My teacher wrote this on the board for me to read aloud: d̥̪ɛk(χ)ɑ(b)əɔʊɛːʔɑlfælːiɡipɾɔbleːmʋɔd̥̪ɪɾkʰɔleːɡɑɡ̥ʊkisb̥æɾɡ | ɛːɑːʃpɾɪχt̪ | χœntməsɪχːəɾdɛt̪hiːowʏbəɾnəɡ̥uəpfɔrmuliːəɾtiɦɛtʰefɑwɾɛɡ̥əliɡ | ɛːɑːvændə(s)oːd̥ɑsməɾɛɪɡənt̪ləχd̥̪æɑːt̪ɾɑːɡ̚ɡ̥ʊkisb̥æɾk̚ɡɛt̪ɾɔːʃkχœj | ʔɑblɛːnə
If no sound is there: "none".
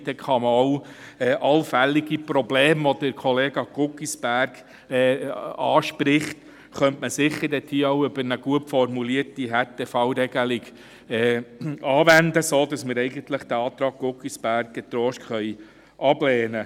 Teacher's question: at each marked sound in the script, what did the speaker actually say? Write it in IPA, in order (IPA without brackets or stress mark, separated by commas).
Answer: χ, m, s